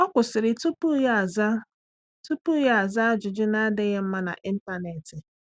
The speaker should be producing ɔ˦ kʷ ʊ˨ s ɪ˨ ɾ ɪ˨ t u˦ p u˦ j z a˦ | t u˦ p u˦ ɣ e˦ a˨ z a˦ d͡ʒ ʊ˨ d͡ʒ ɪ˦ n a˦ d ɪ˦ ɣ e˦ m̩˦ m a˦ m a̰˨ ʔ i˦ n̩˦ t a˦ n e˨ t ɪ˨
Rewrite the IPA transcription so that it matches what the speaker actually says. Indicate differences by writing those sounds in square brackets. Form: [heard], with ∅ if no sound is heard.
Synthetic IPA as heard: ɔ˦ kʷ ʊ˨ s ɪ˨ ɾ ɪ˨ t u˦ p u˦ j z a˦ | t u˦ p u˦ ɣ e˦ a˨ z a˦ d͡ʒ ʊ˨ d͡ʒ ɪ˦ n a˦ d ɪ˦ ɣ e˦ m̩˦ m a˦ [n] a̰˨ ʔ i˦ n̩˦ t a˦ n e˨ t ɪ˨